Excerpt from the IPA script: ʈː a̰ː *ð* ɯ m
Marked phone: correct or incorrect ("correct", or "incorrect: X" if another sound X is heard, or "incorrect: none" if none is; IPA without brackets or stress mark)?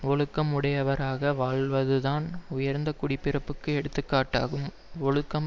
incorrect: ɣ